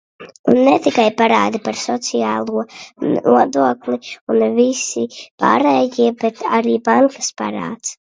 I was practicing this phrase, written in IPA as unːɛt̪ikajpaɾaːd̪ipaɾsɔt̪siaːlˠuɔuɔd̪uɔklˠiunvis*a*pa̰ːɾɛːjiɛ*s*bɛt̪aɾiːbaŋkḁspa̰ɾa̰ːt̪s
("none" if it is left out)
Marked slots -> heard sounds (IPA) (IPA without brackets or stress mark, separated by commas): i, none